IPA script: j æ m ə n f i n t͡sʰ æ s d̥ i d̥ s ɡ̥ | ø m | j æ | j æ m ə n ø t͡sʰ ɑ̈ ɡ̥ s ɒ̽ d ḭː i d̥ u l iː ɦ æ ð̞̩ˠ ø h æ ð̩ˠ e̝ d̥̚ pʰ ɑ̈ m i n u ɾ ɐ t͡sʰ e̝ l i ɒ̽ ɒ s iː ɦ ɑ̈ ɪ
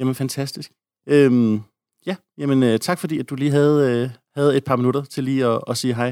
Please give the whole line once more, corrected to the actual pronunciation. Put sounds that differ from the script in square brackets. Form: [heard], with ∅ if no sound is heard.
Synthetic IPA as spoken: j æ m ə n f [æ] n t͡sʰ æ s d̥ i [∅] s ɡ̥ | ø m | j æ | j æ m ə n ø t͡sʰ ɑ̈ ɡ̥ [f] ɒ̽ d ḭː [æ] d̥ u l iː ɦ æ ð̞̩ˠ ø h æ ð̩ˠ e̝ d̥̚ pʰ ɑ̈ m i n u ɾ ɐ t͡sʰ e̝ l [iː] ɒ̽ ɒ s iː ɦ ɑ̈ ɪ